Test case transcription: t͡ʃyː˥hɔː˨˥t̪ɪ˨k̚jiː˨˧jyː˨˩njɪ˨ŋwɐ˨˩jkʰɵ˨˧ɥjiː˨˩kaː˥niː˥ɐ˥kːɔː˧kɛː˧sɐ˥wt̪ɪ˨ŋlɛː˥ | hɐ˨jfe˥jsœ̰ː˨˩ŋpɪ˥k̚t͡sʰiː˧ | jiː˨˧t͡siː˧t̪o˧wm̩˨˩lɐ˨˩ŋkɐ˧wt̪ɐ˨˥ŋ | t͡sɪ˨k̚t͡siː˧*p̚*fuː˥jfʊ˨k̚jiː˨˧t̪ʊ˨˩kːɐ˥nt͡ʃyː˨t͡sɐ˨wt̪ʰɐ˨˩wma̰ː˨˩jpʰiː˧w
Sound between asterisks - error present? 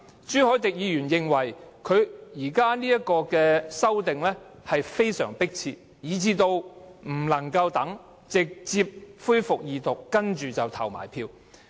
no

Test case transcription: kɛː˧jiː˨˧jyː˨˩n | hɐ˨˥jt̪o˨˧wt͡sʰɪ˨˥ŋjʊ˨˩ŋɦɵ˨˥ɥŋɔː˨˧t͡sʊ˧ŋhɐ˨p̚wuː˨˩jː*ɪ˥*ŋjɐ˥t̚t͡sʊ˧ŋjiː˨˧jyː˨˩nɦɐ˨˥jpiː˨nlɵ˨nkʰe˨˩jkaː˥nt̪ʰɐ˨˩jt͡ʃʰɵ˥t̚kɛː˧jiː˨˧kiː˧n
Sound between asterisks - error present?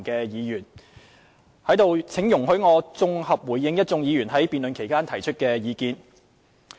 yes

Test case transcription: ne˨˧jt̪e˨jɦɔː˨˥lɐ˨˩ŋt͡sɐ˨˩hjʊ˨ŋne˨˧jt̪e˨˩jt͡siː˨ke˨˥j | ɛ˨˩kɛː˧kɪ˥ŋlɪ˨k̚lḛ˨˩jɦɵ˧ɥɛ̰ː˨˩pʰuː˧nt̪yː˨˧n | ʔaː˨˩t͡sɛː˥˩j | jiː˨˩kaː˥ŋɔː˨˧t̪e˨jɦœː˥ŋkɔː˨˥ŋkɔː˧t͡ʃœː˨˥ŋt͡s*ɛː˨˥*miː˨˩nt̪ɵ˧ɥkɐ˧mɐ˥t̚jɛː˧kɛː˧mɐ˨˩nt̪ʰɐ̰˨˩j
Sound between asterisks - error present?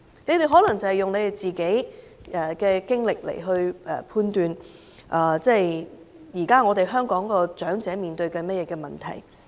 no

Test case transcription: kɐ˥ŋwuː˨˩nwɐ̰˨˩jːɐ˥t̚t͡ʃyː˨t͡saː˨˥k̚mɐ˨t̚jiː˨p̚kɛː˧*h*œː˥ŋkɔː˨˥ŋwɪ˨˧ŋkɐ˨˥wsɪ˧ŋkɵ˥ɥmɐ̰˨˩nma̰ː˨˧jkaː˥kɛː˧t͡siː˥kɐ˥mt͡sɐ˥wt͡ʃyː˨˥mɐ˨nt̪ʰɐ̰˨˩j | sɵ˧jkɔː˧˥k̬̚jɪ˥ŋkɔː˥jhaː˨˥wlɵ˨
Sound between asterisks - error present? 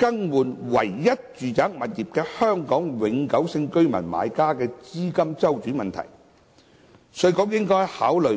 no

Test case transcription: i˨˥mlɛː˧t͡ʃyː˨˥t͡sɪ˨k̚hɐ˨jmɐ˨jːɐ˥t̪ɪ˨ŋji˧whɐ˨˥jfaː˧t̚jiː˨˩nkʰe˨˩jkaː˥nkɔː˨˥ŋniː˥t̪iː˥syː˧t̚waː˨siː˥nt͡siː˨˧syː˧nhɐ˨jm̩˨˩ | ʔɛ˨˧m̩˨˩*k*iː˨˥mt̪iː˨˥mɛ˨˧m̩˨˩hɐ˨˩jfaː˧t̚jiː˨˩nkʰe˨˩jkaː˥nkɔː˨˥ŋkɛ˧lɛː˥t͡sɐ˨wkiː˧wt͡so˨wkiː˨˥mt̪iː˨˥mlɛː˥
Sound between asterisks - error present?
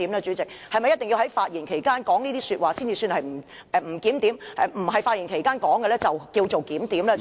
no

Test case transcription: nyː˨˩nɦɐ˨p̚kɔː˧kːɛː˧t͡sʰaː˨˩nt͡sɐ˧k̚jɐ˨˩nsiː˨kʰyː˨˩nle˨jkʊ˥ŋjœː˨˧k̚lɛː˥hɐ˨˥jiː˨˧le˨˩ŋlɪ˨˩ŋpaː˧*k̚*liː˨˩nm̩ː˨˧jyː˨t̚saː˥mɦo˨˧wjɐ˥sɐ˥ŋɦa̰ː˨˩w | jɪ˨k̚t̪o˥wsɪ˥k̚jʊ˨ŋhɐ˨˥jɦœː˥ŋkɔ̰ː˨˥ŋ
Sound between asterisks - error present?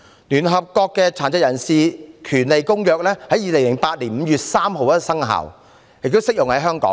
yes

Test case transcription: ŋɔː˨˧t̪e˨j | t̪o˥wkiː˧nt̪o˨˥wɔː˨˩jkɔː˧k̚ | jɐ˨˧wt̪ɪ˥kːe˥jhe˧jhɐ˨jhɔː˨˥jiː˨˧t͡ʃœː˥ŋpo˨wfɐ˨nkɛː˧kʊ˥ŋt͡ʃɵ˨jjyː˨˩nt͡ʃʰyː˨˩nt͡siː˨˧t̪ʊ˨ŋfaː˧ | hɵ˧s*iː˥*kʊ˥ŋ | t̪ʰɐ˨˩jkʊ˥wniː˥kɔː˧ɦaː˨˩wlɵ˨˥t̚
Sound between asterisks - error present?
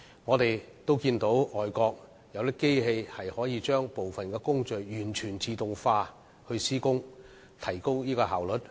no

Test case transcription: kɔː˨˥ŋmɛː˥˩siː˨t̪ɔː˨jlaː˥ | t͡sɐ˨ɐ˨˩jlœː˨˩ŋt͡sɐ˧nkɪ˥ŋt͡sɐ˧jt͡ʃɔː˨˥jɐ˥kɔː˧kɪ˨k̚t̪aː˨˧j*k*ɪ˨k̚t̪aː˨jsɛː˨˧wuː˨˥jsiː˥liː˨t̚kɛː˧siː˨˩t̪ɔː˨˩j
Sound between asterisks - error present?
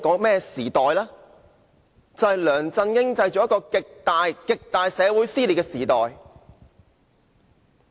no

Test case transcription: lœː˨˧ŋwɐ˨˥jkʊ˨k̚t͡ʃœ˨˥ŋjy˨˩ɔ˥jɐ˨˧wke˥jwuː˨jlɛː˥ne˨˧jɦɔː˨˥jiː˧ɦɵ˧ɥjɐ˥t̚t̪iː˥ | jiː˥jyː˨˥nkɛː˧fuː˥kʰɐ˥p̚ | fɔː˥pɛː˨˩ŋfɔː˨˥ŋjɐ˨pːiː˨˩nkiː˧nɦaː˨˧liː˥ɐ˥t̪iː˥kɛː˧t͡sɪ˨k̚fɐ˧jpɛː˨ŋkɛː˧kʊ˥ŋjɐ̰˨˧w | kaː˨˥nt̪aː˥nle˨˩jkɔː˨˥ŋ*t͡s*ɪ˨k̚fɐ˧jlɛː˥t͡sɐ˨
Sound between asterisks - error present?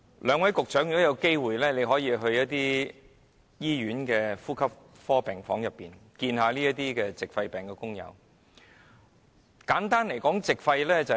no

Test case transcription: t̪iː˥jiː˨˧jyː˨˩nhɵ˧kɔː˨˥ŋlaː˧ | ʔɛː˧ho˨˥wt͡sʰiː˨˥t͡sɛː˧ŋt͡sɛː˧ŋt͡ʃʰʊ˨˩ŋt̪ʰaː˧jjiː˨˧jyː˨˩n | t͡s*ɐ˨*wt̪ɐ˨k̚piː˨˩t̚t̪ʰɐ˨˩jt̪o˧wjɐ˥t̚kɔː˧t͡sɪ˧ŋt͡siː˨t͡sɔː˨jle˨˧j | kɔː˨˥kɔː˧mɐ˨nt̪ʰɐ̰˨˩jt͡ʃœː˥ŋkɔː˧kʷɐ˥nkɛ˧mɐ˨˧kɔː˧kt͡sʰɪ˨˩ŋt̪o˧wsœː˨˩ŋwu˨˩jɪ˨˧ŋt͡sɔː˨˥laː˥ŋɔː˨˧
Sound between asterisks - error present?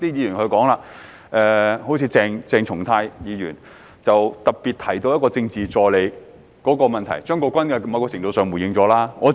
no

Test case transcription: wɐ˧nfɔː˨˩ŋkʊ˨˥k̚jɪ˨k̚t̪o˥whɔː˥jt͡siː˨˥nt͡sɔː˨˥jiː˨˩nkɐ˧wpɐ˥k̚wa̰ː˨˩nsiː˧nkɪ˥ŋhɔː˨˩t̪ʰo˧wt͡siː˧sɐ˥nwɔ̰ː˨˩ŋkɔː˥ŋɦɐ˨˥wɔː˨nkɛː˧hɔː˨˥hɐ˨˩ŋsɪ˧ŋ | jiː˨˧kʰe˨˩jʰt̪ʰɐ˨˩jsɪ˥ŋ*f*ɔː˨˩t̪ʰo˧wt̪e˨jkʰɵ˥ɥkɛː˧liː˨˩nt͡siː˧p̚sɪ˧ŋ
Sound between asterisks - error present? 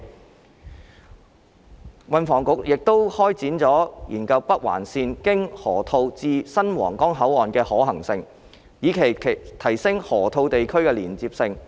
yes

